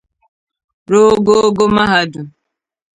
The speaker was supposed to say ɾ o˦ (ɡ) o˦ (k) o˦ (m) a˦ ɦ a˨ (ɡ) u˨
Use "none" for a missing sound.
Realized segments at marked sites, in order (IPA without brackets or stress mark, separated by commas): ɡ, ɡ, m, d